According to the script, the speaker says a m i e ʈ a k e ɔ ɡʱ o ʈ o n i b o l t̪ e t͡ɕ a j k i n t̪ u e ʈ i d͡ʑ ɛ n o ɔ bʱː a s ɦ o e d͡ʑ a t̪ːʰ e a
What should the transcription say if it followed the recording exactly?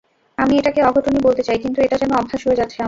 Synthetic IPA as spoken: a m i e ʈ a k e ɔ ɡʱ o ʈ o n i b o l t̪ e t͡ɕ a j k i n t̪ u e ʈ a d͡ʑ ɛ n o ɔ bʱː a ʃ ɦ o e d͡ʑ a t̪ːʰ e a